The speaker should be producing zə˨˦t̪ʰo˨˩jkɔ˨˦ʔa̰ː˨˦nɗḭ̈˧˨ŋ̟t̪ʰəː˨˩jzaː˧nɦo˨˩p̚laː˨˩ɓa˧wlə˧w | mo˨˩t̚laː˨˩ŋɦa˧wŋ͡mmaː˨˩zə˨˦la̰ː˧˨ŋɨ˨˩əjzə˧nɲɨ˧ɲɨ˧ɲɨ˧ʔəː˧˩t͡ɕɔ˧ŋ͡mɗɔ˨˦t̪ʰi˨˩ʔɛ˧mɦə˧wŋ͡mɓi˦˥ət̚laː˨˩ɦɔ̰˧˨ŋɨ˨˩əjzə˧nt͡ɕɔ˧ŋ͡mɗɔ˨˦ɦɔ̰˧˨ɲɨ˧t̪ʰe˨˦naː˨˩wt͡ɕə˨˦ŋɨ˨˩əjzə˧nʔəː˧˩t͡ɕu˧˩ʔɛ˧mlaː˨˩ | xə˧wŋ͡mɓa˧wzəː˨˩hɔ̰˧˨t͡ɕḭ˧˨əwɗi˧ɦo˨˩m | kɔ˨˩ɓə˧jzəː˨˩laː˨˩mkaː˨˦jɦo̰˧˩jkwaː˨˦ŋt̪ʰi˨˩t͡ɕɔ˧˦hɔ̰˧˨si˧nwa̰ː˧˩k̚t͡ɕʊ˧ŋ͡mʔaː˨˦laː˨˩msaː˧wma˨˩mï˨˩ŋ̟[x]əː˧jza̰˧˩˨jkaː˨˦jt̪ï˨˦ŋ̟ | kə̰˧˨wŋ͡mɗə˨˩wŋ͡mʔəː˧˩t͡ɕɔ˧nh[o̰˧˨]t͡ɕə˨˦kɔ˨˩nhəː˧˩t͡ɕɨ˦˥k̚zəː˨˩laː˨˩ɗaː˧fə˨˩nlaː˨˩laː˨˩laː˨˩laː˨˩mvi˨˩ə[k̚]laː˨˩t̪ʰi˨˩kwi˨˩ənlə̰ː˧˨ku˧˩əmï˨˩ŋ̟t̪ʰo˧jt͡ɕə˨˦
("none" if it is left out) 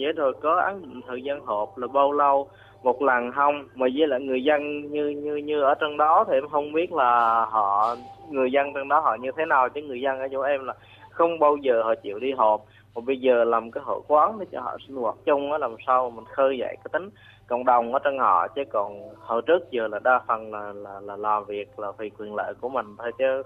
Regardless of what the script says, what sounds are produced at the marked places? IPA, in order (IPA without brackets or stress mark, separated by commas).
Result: x, ɔ̰˧˨, k̚